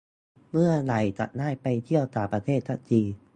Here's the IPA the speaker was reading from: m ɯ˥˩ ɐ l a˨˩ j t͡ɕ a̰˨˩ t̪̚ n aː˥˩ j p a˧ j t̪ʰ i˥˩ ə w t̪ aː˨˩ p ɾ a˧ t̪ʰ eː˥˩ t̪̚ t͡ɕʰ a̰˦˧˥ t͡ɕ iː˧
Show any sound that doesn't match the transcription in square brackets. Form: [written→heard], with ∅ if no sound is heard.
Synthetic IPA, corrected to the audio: m ɯ˥˩ ɐ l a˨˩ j t͡ɕ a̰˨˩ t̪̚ n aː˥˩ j p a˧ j t̪ʰ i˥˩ ə w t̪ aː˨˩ p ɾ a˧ t̪ʰ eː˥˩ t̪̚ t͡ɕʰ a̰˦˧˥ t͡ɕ iː˧